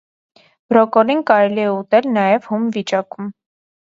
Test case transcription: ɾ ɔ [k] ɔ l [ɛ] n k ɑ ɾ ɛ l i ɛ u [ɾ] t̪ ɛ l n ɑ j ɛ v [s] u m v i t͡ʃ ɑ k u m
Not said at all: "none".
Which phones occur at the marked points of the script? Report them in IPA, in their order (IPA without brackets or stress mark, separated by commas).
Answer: k, i, none, h